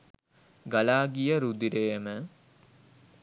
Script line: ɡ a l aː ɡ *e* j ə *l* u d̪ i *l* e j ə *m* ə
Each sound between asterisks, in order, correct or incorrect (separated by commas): incorrect, incorrect, incorrect, correct